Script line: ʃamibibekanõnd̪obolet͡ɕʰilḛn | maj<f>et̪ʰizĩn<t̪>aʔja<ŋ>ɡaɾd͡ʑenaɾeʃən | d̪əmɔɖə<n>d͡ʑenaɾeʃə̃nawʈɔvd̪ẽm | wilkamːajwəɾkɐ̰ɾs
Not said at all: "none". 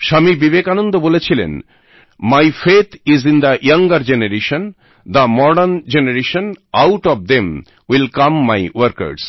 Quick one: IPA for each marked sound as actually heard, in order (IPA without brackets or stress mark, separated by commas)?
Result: f, d̪, ŋ, n